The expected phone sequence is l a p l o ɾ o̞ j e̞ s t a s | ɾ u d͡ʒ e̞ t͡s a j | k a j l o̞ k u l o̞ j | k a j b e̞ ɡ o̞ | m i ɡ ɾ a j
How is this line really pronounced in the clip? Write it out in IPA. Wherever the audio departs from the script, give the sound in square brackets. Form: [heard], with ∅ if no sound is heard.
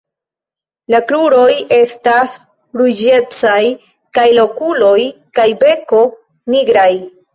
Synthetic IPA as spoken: l a [k] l [u] ɾ o̞ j e̞ s t a s | ɾ u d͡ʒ e̞ t͡s a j | k a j l o̞ k u l o̞ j | k a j b e̞ [k] o̞ | [n] i ɡ ɾ a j